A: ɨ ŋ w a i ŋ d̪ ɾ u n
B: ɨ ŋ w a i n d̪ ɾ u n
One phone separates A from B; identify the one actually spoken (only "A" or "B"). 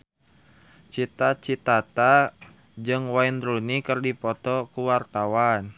B